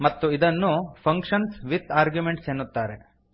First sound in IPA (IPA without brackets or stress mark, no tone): m